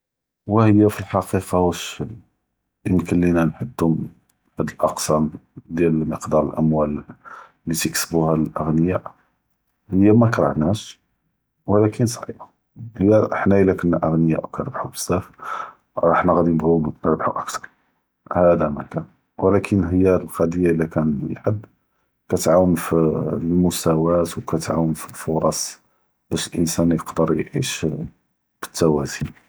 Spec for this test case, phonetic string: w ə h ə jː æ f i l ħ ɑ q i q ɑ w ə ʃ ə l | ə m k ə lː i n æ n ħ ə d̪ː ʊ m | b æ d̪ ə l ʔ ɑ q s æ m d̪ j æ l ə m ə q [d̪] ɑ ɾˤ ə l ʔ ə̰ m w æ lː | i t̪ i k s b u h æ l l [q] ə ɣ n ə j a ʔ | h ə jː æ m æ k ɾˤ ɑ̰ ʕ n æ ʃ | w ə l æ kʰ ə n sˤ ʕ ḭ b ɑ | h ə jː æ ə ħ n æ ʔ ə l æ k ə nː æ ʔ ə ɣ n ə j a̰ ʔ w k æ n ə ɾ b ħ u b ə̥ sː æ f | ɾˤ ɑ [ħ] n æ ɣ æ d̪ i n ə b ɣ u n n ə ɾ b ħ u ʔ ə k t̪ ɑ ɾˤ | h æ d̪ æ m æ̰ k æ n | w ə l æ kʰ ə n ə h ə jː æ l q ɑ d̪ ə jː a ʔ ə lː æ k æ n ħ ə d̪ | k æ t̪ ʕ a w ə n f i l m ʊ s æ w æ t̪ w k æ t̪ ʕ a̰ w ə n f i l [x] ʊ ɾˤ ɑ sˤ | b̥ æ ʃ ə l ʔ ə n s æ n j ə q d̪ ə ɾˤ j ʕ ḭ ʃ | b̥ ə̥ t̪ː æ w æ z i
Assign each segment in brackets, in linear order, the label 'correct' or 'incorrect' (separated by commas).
correct, incorrect, correct, incorrect